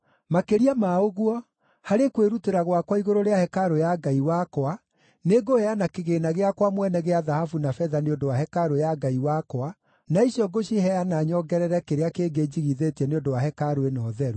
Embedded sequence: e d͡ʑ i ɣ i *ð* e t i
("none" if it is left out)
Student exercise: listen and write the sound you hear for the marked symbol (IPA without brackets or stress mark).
ð